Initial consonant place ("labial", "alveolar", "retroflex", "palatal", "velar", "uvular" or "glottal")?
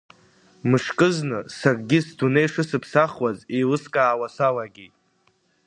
labial